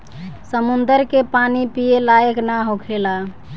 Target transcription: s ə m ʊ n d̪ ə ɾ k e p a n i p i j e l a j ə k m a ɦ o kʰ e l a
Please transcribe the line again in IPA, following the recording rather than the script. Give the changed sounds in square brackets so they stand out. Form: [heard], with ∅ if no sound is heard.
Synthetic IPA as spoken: s ə m [u] n d̪ ə ɾ k e p a n i p i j e l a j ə k [n] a ɦ o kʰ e l a